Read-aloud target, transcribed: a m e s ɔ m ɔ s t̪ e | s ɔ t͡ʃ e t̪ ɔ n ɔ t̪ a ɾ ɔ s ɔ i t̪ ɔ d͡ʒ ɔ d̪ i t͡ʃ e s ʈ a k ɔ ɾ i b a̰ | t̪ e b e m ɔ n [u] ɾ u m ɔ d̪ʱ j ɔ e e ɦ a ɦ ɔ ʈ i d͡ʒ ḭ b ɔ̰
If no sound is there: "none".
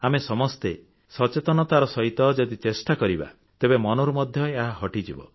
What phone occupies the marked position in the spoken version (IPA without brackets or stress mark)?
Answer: ɔ